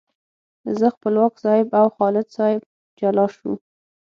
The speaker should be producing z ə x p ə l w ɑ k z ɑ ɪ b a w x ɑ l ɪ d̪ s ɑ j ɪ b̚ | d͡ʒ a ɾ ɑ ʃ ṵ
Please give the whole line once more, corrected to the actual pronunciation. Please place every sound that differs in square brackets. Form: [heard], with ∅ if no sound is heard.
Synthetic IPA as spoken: z ə x p ə l w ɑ k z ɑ ɪ b a w x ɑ l ɪ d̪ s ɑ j ɪ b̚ | d͡ʒ a [l] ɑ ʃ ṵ